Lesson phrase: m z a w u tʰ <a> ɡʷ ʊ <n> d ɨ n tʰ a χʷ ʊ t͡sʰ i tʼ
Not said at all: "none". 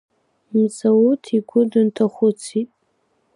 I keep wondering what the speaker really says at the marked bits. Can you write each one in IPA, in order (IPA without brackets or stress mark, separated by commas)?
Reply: i, none